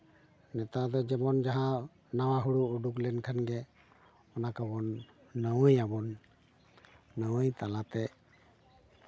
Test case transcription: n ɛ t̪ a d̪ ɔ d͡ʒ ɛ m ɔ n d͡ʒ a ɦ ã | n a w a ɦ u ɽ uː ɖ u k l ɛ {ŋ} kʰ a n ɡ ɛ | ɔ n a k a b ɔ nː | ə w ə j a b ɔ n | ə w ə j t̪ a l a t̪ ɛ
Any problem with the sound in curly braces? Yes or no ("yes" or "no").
yes